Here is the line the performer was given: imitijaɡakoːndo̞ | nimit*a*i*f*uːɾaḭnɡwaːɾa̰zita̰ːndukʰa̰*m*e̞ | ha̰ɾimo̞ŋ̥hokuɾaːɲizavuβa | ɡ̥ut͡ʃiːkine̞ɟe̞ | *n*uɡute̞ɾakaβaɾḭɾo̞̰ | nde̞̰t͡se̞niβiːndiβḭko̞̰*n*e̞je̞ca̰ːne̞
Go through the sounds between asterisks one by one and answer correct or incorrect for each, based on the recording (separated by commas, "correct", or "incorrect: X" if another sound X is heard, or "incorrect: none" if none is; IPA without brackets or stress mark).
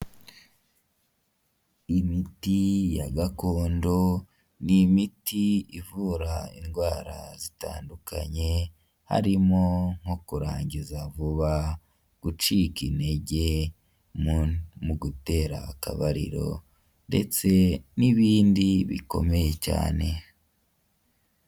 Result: incorrect: i, incorrect: v, incorrect: ɲ, incorrect: m, incorrect: m